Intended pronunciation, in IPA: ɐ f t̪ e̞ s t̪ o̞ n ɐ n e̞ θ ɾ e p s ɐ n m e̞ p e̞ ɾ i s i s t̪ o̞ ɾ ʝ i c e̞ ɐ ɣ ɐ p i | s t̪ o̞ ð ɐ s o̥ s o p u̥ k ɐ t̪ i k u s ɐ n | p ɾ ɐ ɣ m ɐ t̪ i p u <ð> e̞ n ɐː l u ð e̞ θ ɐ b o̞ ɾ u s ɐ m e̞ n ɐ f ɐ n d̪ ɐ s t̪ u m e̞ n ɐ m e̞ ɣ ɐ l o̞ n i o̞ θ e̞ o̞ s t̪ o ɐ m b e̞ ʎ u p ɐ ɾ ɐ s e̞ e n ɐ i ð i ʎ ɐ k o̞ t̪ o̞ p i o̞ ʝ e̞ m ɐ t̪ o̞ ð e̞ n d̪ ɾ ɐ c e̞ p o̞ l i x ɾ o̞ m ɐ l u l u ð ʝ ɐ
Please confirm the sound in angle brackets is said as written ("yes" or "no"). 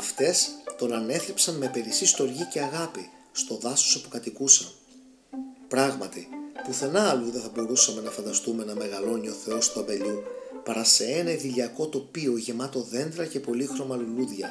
no